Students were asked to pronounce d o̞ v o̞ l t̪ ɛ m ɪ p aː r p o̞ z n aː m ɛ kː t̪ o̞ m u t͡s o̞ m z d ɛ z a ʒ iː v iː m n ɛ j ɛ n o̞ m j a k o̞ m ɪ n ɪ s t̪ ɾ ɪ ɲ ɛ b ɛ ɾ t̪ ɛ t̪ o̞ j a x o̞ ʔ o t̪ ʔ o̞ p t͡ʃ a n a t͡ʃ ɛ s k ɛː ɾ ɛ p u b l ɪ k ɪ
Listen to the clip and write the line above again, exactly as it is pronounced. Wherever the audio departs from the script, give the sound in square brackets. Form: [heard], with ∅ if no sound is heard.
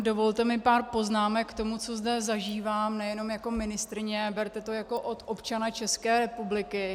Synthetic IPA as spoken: d o̞ v o̞ l t̪ ɛ m ɪ p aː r p o̞ z n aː m ɛ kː t̪ o̞ m u t͡s o̞ [∅] z d ɛ z a ʒ iː v [aː] m n ɛ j ɛ n o̞ m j a k o̞ m ɪ n ɪ s t̪ ɾ ɪ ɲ ɛ b ɛ ɾ t̪ ɛ t̪ o̞ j a [k] o̞ ʔ o t̪ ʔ o̞ p t͡ʃ a n a t͡ʃ ɛ s k ɛː ɾ ɛ p u b l ɪ k ɪ

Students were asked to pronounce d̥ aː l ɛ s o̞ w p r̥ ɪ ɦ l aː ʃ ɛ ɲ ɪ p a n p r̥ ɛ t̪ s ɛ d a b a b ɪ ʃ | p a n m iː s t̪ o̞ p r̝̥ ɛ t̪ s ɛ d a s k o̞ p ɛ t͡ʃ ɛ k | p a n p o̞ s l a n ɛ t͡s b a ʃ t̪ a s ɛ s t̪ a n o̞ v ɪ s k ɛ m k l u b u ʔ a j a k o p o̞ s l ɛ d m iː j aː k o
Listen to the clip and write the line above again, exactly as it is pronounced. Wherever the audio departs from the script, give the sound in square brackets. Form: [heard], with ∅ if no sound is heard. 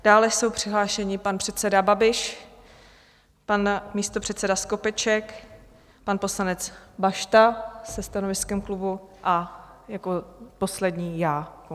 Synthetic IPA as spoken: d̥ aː l ɛ s o̞ w p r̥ ɪ ɦ l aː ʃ ɛ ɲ ɪ p a n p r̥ ɛ t̪ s ɛ d a b a b ɪ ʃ | p a n m iː s t̪ o̞ p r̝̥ ɛ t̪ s ɛ d a s k o̞ p ɛ t͡ʃ ɛ k | p a n p o̞ s l a n ɛ t͡s b a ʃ t̪ a s ɛ s t̪ a n o̞ v ɪ s k ɛ m k l u b u ʔ a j a k o p o̞ s l ɛ d [ɲ] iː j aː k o

